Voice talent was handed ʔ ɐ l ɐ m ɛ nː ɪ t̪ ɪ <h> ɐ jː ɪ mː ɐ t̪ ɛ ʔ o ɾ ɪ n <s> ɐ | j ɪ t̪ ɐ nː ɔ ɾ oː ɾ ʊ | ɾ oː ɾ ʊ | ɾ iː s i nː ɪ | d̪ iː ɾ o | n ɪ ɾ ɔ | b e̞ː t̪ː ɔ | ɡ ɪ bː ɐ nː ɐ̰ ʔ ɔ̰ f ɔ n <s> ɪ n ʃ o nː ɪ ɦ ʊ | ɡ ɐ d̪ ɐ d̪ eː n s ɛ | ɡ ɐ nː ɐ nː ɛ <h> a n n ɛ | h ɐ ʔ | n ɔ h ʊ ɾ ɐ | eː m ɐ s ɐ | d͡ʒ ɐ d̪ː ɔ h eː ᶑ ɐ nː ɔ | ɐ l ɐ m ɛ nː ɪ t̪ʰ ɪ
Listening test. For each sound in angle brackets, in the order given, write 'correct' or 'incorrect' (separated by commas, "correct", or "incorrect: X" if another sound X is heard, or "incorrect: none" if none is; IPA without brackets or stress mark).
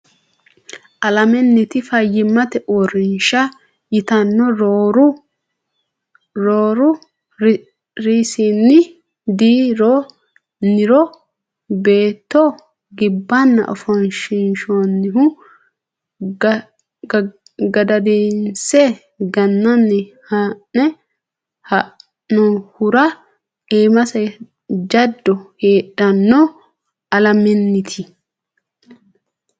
incorrect: f, incorrect: ʃ, incorrect: ʃ, correct